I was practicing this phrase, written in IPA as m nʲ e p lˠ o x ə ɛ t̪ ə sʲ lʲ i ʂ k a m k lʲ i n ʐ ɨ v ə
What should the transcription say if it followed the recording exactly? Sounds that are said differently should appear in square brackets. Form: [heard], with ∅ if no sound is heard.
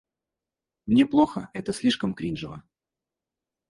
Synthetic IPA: m nʲ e p lˠ o x ə ɛ t̪ ə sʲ lʲ i ʂ k [ə] m k [ɾʲ] i n ʐ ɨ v ə